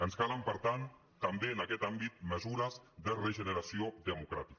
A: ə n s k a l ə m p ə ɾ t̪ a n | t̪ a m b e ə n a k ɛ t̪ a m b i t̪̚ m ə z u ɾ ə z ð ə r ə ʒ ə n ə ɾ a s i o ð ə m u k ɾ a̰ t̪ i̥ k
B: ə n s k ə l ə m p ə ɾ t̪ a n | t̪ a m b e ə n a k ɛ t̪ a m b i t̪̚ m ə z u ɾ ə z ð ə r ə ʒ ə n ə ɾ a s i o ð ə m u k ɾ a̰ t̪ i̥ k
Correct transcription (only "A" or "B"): A